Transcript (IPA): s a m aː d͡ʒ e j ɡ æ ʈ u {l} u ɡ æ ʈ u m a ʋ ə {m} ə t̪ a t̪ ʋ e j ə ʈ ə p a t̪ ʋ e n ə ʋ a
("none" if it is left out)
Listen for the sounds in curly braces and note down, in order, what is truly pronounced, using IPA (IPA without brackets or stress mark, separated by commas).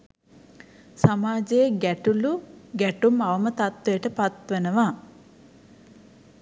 l, m